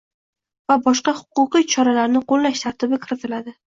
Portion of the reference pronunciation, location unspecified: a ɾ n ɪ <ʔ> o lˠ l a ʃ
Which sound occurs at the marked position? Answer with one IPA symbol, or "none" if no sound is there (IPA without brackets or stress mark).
q